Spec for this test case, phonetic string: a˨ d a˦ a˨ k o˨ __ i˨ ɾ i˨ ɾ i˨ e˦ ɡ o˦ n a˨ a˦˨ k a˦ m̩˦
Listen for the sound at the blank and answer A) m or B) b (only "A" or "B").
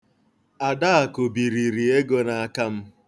B